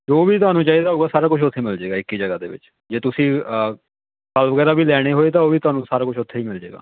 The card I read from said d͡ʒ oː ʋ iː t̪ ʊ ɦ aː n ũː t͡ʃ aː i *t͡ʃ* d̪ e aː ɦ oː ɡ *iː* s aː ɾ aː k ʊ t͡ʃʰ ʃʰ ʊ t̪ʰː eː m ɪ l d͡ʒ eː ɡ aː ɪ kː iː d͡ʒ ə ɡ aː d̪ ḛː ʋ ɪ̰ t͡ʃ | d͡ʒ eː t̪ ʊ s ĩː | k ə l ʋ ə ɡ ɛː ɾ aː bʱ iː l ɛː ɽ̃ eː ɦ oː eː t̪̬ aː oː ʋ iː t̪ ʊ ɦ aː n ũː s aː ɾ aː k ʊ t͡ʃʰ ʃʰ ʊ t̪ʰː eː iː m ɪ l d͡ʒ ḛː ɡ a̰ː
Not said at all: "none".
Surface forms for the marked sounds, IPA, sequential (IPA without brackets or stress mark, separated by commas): none, aː